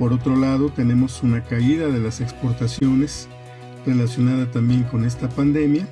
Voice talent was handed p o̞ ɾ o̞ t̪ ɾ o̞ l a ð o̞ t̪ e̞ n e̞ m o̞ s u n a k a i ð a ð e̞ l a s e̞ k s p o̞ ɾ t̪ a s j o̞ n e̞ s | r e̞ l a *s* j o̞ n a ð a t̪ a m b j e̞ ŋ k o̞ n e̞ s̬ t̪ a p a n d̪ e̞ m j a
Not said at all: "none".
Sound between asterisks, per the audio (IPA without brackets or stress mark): s